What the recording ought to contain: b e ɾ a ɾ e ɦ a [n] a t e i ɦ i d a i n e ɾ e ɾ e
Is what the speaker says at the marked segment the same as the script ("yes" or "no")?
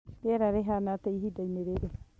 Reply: yes